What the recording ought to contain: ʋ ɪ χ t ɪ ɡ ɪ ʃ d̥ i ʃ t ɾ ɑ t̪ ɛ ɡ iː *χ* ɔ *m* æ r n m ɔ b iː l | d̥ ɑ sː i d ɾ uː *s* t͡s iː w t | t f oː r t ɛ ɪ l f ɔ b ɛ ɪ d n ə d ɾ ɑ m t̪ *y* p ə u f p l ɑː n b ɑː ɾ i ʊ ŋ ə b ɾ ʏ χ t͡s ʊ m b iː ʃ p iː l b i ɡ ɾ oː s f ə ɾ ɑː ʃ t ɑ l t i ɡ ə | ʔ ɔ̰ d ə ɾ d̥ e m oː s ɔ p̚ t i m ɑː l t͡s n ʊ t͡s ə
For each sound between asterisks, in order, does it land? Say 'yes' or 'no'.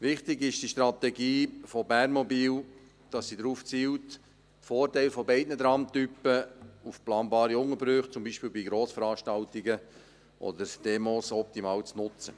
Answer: no, no, no, yes

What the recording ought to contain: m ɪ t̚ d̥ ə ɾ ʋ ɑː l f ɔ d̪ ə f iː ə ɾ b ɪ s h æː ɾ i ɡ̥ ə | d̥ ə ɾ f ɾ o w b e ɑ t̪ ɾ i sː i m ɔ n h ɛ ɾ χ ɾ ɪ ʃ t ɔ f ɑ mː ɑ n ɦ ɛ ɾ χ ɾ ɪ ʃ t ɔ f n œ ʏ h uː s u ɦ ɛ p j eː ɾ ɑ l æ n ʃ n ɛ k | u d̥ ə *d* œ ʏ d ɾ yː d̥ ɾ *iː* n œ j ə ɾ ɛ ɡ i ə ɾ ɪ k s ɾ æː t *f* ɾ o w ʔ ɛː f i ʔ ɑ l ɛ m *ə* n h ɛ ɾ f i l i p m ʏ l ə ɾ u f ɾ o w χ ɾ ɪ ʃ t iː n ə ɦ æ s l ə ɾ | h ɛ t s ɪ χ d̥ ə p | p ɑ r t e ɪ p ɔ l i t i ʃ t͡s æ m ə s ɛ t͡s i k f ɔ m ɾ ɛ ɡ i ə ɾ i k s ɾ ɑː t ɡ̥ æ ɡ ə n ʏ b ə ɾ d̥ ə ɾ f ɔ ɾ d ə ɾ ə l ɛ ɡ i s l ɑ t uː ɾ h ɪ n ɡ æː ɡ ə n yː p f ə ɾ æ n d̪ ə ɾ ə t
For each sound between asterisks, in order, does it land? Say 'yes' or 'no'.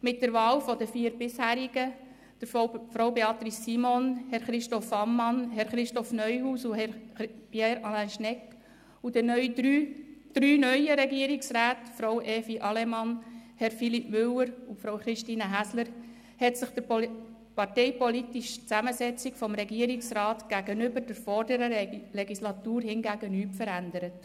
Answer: no, no, yes, no

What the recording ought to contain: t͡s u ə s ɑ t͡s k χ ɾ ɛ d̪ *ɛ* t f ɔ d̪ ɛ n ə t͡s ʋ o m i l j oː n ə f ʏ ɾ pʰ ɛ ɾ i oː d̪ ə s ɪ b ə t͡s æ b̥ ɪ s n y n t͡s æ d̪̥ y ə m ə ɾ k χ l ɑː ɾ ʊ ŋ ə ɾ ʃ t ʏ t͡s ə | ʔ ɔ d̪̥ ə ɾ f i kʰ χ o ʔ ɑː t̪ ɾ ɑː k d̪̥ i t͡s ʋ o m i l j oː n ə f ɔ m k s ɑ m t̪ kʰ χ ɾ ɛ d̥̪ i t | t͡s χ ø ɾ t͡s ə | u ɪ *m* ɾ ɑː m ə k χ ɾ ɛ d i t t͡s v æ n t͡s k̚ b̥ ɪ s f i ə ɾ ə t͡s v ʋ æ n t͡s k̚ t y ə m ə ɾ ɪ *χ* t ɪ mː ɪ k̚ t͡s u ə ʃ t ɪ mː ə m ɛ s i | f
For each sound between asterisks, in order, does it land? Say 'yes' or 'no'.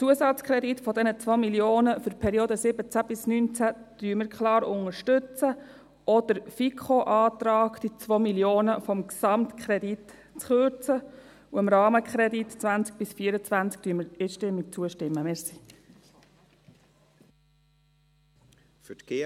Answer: no, yes, no

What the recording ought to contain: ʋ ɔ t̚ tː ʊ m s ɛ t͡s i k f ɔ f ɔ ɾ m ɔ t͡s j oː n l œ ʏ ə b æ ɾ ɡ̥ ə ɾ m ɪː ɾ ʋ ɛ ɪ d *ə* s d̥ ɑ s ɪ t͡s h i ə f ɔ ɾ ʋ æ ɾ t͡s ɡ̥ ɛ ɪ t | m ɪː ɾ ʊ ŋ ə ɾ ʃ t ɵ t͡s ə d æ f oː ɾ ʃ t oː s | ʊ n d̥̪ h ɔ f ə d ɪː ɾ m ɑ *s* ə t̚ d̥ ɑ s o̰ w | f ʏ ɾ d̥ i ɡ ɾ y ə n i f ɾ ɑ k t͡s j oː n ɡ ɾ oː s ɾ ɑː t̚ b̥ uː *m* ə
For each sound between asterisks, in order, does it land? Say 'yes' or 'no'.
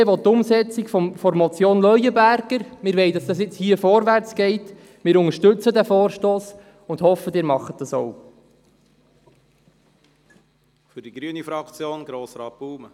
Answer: no, no, yes

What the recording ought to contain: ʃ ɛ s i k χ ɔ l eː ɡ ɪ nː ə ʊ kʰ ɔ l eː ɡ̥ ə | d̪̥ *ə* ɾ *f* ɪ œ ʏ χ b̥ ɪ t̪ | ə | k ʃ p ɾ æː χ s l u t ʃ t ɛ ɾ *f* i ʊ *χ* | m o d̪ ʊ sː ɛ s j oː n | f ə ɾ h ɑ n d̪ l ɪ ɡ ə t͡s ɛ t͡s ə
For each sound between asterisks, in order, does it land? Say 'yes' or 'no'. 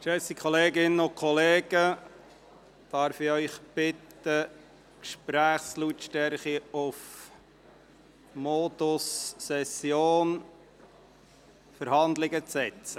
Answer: no, yes, no, no

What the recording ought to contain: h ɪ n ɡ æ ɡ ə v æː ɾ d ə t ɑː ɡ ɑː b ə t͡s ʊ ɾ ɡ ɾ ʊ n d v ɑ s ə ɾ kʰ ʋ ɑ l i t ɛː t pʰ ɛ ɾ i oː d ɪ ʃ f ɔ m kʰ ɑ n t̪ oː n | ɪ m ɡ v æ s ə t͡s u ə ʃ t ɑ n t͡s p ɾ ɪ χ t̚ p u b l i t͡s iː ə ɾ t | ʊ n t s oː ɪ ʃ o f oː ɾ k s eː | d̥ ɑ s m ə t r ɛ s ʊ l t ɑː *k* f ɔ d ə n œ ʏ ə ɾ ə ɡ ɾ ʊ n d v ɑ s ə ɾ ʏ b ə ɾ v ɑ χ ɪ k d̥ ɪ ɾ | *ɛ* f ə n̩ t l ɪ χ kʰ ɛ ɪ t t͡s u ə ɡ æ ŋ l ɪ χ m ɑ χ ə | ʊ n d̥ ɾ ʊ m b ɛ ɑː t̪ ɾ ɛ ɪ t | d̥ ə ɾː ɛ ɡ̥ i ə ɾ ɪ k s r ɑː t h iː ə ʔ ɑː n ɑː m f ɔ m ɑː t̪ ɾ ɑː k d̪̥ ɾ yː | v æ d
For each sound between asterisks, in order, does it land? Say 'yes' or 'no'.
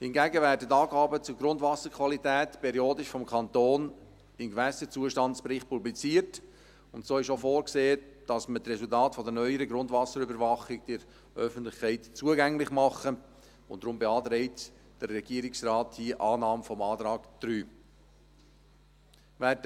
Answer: no, no

